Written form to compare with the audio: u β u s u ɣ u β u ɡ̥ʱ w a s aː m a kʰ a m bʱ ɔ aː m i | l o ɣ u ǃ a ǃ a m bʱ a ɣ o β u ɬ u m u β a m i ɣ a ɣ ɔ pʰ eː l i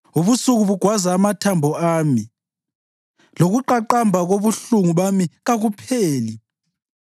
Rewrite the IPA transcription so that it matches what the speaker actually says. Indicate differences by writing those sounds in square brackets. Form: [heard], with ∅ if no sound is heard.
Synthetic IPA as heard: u β u s u ɣ u β u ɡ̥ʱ w a [z] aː m a [tʰ] a m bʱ ɔ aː m i | l o ɣ u ǃ a ǃ a m bʱ a ɣ o β u ɬ u [ŋ] u β a m i ɣ a ɣ [u] pʰ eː l i